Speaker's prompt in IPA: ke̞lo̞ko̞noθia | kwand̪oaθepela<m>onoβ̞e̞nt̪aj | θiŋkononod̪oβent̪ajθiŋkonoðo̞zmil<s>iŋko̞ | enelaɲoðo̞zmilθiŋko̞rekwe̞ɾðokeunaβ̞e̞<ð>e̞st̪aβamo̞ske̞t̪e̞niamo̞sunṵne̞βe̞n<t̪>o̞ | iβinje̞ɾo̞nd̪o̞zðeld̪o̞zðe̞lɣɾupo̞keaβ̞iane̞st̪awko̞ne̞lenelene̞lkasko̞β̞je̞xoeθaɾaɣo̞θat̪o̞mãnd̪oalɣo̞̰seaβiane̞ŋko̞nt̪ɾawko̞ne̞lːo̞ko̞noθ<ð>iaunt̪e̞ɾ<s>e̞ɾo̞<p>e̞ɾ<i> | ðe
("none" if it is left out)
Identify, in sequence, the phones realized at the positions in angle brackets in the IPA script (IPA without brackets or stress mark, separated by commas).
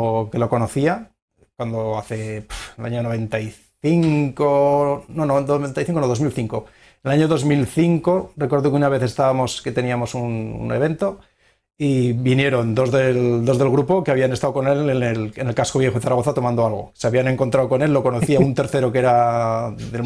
ɲ, θ, θ, t̪, θ, θ, k, a